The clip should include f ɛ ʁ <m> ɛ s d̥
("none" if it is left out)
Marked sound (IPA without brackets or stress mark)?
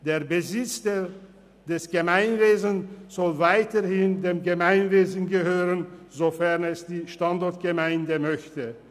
n